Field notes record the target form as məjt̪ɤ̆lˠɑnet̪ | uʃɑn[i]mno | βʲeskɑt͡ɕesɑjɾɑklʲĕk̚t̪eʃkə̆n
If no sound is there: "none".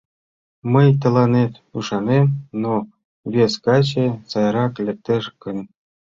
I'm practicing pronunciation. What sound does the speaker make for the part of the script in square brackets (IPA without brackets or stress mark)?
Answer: e